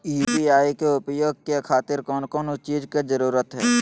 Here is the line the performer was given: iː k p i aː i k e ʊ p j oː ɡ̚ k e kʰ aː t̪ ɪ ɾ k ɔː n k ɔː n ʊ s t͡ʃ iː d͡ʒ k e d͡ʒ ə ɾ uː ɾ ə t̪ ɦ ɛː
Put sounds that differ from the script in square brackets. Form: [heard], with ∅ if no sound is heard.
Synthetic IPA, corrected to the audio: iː [∅] p i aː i k e ʊ p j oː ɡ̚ k e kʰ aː t̪ ɪ ɾ k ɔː n k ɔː n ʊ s t͡ʃ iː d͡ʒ k e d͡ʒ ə ɾ uː ɾ ə t̪ ɦ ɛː